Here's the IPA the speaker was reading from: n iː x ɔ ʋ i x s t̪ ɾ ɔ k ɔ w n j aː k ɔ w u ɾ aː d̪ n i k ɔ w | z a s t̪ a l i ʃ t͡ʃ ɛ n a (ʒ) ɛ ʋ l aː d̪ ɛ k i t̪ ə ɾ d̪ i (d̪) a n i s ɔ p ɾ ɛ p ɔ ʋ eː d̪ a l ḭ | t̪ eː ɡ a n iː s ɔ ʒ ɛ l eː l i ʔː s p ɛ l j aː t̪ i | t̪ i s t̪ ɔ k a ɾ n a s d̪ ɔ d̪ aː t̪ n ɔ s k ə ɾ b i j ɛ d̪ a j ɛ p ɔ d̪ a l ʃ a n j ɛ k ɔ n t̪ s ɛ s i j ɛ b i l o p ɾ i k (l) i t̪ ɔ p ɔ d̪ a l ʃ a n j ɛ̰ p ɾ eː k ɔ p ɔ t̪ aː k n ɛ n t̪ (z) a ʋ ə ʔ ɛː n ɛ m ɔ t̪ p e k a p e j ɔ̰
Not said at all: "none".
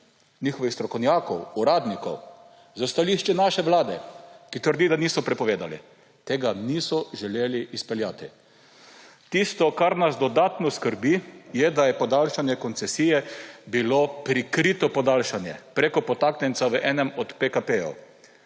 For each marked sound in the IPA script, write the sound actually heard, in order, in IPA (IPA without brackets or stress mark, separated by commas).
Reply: ʃ, d̪, ɾ, s